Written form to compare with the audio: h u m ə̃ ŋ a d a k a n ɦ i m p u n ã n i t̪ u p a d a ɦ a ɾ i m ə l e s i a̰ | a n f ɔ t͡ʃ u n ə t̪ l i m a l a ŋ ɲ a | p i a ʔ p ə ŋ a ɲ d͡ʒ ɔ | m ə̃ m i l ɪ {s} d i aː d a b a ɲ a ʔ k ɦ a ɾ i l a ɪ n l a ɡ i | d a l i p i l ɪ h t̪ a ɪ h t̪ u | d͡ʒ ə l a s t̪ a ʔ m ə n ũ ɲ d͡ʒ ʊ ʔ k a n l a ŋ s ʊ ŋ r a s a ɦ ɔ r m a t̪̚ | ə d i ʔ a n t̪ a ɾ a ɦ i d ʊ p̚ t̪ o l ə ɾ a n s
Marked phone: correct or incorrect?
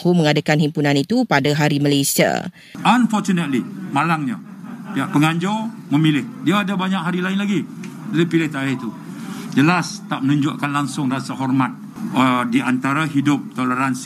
incorrect